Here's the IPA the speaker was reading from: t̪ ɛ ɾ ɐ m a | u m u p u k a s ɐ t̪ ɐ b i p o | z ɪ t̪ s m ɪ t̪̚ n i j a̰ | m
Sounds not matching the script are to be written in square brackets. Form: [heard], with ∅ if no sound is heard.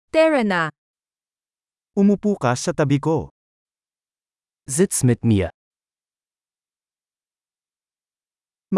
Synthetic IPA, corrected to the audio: t̪ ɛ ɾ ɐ [n] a | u m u p u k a s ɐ t̪ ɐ b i [k] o | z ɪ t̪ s m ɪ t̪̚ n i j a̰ | m